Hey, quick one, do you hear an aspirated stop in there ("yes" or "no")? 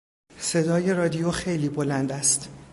no